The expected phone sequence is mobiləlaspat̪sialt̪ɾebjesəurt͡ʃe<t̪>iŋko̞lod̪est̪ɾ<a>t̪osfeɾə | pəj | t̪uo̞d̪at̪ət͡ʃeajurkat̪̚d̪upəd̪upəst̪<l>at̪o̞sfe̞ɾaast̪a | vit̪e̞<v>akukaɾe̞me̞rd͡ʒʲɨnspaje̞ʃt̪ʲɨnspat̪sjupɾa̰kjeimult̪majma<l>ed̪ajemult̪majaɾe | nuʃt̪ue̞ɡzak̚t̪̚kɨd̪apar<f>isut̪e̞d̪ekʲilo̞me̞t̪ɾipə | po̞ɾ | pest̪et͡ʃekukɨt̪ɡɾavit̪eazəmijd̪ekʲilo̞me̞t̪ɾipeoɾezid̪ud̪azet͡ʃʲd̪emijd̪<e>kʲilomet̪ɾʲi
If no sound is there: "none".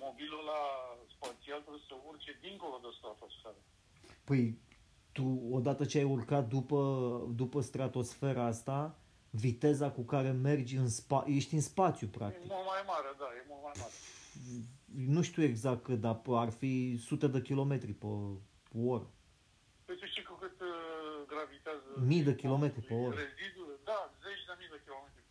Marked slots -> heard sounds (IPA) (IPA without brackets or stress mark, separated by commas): d̪, a, ɾ, z, ɾ, f, e